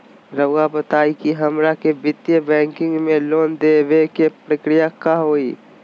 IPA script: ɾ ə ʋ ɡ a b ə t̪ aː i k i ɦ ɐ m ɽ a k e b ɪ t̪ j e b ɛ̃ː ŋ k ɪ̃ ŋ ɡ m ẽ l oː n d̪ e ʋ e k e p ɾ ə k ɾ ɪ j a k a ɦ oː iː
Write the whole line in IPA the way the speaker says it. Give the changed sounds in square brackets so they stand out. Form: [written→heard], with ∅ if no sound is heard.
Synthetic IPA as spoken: ɾ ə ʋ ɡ a b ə t̪ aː i k i ɦ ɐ m [ɽ→ɾ] a k e b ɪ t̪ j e b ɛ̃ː ŋ k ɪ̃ ŋ ɡ m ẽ l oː n d̪ e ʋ e k e p ɾ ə k ɾ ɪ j a k a ɦ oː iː